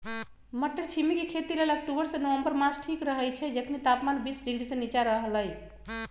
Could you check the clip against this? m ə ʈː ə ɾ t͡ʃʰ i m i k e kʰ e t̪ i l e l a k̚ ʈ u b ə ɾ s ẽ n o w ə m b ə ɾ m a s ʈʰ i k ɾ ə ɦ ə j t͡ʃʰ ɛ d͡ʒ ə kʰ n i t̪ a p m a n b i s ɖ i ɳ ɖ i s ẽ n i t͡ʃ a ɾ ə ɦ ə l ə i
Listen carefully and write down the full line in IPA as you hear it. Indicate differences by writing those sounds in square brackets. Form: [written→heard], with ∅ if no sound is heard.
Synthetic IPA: m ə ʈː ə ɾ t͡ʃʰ i m i k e kʰ e t̪ i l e l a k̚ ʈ u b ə ɾ s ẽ n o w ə m b ə ɾ m a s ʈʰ i k ɾ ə ɦ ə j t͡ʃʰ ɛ d͡ʒ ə kʰ n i t̪ a p m a n b i s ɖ i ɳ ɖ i s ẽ n i t͡ʃ a ɾ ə ɦ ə l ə [i→j]